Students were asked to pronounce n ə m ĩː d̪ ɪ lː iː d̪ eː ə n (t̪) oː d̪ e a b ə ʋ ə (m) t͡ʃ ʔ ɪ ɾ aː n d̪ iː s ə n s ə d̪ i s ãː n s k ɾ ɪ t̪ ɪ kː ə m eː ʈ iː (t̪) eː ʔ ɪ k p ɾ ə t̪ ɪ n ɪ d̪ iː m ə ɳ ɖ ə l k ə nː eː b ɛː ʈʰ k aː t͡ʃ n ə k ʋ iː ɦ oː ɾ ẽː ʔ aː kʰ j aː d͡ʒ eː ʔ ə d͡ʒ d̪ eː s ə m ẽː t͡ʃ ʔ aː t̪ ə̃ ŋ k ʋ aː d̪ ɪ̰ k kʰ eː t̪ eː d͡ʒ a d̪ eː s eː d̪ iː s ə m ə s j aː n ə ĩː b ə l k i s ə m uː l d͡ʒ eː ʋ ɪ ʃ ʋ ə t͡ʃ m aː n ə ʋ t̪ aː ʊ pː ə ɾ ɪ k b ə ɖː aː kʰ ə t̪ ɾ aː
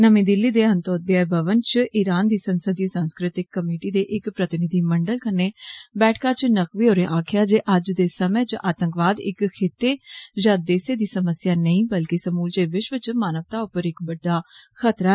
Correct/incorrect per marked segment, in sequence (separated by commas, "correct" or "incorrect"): correct, incorrect, incorrect